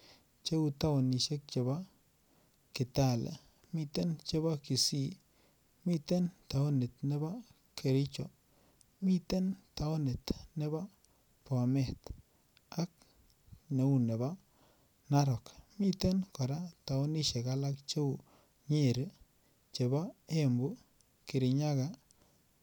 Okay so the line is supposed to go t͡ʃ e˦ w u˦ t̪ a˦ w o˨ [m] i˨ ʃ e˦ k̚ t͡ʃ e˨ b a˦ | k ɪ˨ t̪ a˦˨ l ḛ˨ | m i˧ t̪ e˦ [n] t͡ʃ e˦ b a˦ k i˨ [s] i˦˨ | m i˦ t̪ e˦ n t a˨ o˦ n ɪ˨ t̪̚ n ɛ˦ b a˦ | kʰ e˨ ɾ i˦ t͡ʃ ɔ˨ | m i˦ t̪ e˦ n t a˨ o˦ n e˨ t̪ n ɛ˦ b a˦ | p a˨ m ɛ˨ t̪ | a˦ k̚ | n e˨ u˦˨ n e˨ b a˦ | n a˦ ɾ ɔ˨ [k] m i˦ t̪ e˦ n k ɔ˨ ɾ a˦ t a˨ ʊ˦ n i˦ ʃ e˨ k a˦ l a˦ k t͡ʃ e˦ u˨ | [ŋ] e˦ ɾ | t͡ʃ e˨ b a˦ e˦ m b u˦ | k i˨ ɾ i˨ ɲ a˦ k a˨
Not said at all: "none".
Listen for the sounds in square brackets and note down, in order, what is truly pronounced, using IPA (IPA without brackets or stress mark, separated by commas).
n, n, s, k, ɲ